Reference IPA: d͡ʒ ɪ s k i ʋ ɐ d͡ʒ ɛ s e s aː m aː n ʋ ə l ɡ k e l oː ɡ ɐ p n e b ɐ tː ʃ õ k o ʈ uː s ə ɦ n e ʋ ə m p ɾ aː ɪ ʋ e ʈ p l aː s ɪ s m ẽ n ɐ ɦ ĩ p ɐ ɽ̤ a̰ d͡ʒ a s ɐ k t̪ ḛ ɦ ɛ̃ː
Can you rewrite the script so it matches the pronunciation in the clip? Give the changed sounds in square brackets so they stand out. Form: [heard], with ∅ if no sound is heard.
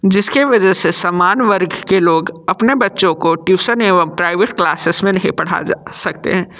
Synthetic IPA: d͡ʒ ɪ s k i ʋ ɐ d͡ʒ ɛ s e s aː m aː n ʋ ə [ɾ] ɡ k e l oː ɡ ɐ p n e b ɐ tː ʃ õ k o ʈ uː s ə [∅] n e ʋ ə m p ɾ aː ɪ ʋ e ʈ [k] l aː s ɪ s m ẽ n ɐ ɦ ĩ p ɐ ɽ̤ a̰ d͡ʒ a s ɐ k t̪ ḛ ɦ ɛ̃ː